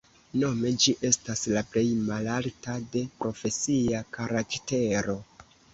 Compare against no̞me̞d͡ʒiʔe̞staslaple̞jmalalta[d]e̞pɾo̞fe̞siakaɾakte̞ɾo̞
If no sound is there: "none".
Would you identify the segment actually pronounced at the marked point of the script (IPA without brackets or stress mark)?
d